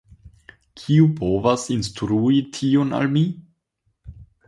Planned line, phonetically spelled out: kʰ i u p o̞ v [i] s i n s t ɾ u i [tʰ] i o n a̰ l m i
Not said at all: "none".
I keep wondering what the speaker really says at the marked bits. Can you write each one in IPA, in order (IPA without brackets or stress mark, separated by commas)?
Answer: a, tʰ